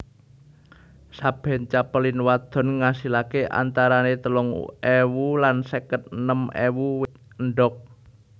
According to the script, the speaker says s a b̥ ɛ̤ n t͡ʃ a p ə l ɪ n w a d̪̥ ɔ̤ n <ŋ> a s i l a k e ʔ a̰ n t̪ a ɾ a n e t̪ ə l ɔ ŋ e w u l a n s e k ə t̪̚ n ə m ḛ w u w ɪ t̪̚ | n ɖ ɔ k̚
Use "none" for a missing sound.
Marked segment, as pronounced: ŋ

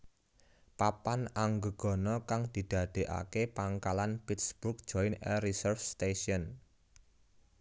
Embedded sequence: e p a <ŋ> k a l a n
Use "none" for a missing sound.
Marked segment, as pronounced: ŋ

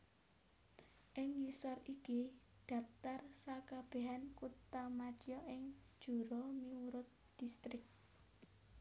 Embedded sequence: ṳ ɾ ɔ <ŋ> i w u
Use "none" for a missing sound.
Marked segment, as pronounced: m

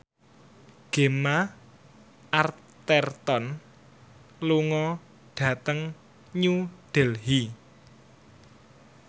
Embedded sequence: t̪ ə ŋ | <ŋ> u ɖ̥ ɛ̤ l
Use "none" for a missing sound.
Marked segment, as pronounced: ɲ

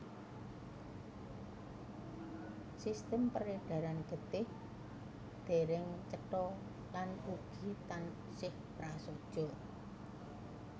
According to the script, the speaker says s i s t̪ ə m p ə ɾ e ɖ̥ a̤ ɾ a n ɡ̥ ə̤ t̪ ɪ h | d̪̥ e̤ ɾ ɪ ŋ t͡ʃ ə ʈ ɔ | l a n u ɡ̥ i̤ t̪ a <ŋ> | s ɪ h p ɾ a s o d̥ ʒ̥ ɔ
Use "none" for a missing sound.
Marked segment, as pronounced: n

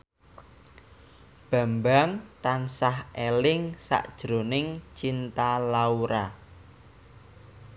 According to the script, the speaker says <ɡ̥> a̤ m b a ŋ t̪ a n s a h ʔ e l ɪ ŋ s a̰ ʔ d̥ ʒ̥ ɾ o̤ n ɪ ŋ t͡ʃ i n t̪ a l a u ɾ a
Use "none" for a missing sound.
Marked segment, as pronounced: b̥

